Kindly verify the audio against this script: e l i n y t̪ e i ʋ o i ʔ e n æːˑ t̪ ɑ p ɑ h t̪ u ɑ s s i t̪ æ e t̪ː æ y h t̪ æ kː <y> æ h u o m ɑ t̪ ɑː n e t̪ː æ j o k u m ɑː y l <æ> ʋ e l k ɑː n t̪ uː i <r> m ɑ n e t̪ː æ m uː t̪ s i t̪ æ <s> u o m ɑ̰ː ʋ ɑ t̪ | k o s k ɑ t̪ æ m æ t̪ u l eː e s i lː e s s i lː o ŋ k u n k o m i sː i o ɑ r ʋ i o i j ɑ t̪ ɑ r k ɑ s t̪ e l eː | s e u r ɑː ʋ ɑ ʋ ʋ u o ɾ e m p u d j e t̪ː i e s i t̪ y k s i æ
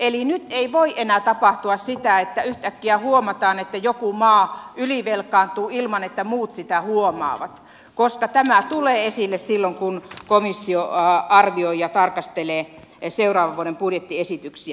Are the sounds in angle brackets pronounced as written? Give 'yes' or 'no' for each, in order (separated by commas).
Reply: no, no, no, no